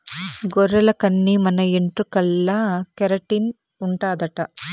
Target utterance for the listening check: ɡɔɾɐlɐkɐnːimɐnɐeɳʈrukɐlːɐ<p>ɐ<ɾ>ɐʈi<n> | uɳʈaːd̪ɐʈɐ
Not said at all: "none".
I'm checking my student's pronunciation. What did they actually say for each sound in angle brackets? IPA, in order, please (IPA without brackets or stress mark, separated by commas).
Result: k, ɾ, n